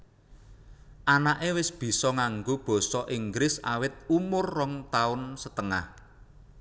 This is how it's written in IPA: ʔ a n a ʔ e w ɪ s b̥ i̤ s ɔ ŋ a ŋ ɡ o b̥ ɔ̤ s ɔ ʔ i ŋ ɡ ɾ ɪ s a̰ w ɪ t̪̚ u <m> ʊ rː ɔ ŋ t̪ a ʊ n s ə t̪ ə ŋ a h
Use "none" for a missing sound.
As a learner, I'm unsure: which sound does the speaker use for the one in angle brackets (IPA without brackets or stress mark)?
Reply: m